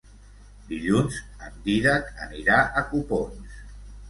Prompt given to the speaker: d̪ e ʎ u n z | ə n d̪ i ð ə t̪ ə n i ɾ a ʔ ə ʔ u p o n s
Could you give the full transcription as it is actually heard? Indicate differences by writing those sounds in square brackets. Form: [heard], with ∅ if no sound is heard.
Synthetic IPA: d̪ [i] ʎ u n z | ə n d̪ i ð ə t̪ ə n i ɾ a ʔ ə [k] u p o n s